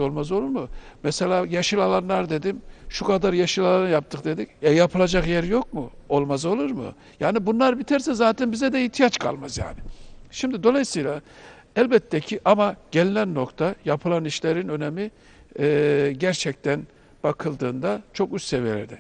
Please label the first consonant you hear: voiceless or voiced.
voiced